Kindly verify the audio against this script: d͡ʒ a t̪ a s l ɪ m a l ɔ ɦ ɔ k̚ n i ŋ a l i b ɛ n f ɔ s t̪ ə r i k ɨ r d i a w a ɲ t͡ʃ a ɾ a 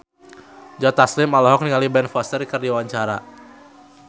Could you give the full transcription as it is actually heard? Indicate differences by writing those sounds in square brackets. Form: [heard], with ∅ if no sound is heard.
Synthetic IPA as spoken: d͡ʒ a t̪ a s l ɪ m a l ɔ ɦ ɔ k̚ n i ŋ a l i b ɛ n f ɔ s t̪ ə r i k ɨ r d i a w a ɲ t͡ʃ a ɾ a

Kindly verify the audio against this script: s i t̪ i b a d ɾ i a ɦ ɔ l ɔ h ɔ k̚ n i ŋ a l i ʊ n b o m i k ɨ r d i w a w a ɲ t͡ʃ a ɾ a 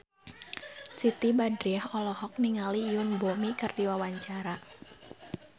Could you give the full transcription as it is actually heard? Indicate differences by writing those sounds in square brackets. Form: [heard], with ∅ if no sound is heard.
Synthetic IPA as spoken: s i t̪ i b a d ɾ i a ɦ ɔ l ɔ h ɔ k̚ n i ŋ a l i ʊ n b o m i k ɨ r d i w a w a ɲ t͡ʃ a ɾ a

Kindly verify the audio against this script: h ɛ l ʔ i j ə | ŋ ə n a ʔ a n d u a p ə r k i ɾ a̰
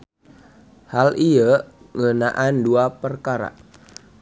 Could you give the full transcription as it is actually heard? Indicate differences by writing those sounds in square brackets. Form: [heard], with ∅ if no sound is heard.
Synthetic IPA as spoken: h [a] l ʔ i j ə | ŋ ə n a ʔ a n d u a p ə r k [a] ɾ a̰

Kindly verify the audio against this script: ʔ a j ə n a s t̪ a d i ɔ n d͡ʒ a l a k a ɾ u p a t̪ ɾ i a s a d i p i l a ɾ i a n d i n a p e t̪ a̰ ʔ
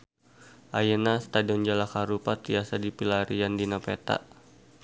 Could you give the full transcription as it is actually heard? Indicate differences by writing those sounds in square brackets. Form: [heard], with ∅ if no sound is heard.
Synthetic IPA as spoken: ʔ a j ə n a s t̪ a d i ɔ n d͡ʒ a l a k a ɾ u p a t̪ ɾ i a s a d i p i l a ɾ i a n d i n a p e t̪ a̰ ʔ

